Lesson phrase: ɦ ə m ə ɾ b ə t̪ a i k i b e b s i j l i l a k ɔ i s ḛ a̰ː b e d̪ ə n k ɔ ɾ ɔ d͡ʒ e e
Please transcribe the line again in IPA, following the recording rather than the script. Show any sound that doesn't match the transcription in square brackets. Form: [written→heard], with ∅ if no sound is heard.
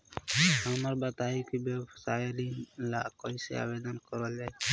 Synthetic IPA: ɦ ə m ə ɾ b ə t̪ a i k i b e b s [i→a] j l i l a k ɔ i s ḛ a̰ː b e d̪ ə n k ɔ ɾ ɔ d͡ʒ [e→a] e